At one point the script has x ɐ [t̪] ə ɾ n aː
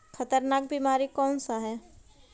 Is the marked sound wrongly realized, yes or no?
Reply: no